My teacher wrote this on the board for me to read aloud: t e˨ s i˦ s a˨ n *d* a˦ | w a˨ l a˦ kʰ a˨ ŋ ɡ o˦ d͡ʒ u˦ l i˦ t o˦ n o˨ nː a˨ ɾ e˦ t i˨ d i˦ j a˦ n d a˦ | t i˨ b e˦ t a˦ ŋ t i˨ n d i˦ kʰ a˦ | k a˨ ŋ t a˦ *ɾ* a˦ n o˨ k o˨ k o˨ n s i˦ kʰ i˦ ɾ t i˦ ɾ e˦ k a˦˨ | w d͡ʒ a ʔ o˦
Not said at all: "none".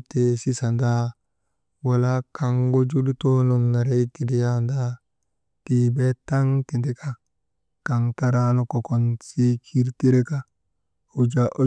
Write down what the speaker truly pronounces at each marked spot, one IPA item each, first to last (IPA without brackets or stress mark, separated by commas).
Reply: d, ɾ